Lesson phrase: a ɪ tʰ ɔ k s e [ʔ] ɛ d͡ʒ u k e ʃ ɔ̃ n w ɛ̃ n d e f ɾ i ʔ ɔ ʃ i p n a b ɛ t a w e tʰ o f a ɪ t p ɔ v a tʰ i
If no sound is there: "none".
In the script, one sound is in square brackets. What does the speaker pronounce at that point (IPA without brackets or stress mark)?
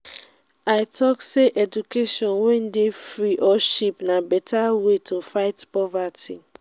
ʔ